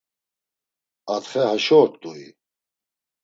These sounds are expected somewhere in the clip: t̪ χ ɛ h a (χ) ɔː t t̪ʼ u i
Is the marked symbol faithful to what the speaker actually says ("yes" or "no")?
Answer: no